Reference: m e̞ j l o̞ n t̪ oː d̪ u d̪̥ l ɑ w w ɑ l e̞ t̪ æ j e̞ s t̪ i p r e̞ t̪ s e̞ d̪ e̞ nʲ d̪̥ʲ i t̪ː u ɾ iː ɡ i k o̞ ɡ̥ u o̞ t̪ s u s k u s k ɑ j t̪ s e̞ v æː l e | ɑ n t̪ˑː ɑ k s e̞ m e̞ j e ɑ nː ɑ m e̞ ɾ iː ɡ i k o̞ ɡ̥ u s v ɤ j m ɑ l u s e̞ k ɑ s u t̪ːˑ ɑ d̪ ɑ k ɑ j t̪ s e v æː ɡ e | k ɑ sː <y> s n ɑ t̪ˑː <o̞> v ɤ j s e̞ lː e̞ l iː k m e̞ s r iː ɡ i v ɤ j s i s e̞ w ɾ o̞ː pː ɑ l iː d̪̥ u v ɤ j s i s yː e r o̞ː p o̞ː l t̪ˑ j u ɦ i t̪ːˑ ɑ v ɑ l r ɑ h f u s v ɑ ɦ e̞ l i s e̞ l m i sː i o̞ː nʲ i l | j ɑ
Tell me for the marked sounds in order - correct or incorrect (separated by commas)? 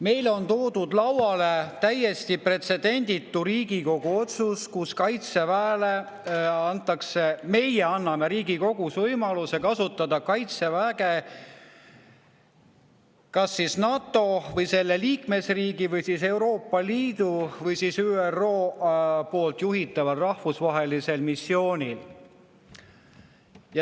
incorrect, correct